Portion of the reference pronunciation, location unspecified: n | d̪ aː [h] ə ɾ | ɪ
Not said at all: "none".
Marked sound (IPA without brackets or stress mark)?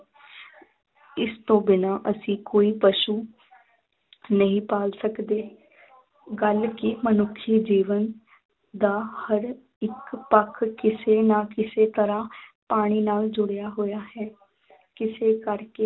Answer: h